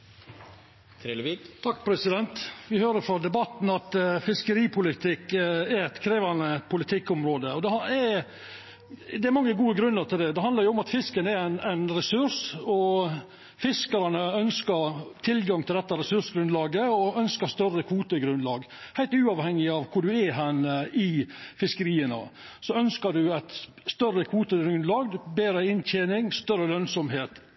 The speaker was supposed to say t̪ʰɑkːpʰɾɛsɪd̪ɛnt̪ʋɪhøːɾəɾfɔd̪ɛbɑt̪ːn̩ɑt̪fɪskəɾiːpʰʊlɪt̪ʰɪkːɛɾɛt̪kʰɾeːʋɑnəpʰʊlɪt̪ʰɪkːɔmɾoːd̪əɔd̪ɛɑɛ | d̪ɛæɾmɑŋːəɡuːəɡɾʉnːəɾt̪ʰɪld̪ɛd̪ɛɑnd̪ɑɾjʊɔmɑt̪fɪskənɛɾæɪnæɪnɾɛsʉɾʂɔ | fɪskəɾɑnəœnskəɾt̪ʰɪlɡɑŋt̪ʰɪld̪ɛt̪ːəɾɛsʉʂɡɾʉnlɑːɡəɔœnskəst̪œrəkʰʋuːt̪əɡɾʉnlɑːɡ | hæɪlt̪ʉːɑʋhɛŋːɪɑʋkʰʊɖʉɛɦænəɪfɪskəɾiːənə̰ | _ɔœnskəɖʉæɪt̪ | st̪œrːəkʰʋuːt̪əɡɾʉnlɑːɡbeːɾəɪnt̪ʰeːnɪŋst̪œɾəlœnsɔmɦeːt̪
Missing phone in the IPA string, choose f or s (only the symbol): s